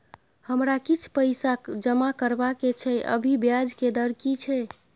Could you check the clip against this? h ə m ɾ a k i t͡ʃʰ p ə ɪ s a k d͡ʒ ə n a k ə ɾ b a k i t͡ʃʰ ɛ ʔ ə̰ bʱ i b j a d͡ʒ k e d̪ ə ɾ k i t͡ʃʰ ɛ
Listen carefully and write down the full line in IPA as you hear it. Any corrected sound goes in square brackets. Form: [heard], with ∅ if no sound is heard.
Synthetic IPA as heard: h ə m ɾ a k i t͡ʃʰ p ə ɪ s a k d͡ʒ ə [m] a k ə ɾ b a k [e] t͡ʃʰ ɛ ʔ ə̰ bʱ i b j a d͡ʒ k e d̪ ə ɾ k i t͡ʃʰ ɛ